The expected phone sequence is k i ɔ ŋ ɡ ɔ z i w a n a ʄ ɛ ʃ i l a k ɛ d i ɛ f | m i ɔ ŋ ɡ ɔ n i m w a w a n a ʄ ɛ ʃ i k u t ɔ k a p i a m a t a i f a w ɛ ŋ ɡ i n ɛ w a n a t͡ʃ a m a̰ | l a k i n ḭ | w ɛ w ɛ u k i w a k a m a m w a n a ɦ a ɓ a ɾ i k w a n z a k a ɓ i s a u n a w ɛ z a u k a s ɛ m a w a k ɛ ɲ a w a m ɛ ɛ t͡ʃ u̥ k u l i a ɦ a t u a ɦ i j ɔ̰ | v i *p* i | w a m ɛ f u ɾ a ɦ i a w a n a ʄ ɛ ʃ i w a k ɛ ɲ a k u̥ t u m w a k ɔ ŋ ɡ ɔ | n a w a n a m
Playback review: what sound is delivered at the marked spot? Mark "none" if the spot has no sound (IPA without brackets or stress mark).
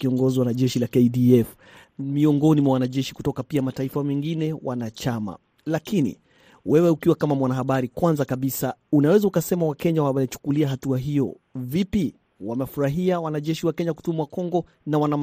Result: p